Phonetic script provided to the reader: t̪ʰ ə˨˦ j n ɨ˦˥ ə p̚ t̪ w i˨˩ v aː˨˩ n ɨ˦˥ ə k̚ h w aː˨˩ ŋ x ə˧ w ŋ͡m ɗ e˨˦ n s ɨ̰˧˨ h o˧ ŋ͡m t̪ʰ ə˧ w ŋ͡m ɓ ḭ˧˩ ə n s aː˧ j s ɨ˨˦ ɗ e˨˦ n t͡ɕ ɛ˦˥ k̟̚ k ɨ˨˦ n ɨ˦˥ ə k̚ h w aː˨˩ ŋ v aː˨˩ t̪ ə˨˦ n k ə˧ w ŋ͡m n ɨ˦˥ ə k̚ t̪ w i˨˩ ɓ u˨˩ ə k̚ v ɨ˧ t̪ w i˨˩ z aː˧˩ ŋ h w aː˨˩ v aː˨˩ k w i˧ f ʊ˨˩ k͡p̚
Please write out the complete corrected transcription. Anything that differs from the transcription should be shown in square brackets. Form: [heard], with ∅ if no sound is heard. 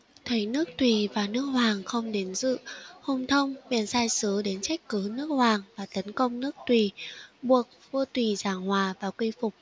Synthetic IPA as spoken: t̪ʰ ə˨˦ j n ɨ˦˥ ə [k̚] t̪ w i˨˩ v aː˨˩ n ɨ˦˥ ə k̚ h w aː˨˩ ŋ x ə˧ w ŋ͡m ɗ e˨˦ n [z] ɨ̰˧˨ h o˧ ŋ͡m t̪ʰ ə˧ w ŋ͡m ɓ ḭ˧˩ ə n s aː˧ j s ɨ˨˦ ɗ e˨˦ n t͡ɕ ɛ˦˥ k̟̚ k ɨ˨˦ n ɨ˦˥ ə k̚ h w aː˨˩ ŋ v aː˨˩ t̪ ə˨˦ n k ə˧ w ŋ͡m n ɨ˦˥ ə k̚ t̪ w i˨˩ ɓ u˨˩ ə k̚ v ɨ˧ t̪ w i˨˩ z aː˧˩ ŋ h w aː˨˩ v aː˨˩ k w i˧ f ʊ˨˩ k͡p̚